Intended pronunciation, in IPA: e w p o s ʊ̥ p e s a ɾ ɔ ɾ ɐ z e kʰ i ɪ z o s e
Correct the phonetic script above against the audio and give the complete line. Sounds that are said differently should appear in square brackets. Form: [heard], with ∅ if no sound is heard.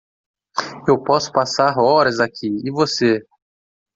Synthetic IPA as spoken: e w p [ɔ] s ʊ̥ p [a] s a ɾ ɔ ɾ ɐ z [a] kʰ i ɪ [v] o s e